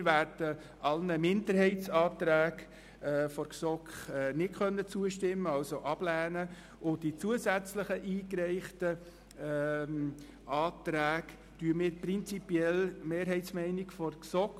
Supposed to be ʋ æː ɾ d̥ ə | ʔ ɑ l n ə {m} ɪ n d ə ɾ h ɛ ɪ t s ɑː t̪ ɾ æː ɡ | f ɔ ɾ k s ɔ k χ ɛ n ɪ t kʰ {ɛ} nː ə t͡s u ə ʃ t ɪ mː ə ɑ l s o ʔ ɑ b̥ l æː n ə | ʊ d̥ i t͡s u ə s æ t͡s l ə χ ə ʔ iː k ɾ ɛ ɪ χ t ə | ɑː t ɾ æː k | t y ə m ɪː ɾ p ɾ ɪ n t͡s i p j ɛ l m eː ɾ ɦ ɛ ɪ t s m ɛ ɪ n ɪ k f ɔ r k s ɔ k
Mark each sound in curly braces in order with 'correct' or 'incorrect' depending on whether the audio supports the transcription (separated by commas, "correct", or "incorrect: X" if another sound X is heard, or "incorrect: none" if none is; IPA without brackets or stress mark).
correct, incorrect: œ